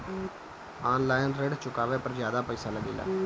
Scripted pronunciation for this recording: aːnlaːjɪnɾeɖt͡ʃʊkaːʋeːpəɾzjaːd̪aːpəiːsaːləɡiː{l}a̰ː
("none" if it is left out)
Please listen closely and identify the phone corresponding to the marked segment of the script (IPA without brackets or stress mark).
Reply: l